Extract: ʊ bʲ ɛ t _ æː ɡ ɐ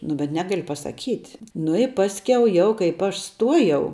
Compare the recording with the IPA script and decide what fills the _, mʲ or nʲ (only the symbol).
nʲ